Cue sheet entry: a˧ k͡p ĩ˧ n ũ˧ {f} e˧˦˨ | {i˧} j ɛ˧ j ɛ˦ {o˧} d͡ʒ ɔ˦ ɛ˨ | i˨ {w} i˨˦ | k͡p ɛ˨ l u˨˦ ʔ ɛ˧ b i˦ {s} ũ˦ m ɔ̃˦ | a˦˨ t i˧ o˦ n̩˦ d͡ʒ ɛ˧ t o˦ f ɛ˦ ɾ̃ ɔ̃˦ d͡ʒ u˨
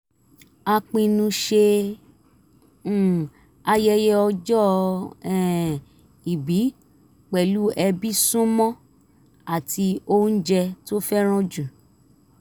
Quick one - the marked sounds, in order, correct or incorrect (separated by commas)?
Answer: incorrect, incorrect, incorrect, incorrect, correct